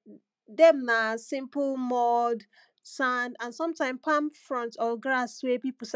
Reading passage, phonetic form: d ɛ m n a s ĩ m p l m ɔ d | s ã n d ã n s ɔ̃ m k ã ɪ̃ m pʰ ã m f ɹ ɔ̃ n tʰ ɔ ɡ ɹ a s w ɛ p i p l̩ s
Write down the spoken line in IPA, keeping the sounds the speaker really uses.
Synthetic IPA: d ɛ m n a s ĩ m p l m ɔ d | s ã n d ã n s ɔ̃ m t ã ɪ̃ m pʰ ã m f ɹ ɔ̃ n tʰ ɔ ɡ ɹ a s w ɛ p i p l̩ s